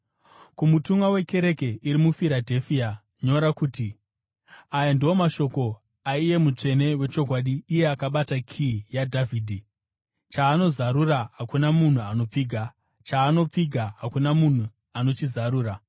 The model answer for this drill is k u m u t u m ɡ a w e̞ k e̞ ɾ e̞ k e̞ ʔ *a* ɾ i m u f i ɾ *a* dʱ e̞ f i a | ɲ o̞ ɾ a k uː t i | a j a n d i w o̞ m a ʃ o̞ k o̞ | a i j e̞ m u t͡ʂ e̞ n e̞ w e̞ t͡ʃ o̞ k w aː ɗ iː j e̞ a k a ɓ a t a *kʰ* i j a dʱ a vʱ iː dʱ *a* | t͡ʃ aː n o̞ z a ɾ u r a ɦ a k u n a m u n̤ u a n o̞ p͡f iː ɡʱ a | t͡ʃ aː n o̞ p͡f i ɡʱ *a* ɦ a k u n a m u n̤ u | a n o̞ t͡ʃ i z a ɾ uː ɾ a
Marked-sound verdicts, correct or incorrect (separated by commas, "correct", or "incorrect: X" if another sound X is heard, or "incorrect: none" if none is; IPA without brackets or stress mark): incorrect: i, correct, correct, incorrect: i, correct